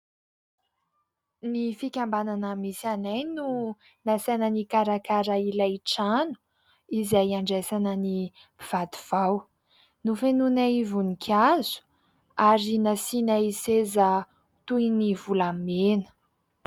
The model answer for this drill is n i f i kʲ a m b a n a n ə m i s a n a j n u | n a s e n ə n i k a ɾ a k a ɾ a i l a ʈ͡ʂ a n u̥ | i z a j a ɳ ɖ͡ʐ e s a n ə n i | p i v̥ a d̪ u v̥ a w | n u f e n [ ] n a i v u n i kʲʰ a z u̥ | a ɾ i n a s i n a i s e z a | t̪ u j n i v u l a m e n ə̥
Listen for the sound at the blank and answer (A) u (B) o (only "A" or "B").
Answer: A